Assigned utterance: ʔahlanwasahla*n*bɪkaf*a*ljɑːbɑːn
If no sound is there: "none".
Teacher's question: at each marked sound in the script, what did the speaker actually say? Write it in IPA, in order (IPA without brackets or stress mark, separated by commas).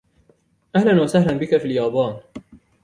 n, i